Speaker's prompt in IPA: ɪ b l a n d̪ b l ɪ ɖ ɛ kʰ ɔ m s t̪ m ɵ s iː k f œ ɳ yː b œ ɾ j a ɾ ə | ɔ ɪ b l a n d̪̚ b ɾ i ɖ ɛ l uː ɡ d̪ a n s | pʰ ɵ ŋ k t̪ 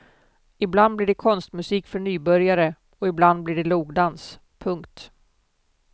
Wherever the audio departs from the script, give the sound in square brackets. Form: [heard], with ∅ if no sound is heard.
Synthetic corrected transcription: ɪ b l a n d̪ b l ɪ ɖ ɛ kʰ ɔ [n] s t̪ m ɵ s iː k f œ ɳ yː b œ ɾ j a ɾ ə | ɔ ɪ b l a n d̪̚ b [l] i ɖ ɛ l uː ɡ d̪ a n s | pʰ ɵ ŋ k t̪